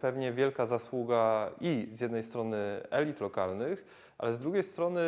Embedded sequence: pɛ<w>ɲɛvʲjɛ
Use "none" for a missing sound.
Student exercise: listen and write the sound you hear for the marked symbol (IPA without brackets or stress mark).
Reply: v